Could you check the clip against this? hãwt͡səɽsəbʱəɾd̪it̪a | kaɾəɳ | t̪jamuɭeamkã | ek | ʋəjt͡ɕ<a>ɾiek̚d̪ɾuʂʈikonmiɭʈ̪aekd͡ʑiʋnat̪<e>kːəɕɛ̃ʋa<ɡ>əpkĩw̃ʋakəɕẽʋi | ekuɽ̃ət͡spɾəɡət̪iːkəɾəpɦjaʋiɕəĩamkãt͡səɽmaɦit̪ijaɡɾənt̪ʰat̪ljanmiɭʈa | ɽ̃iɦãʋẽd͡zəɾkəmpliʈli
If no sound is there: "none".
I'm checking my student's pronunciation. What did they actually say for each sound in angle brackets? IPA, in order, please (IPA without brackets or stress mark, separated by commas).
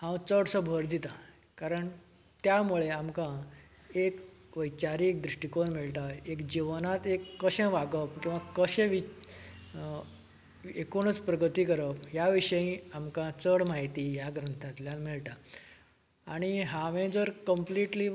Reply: a, e, ɡ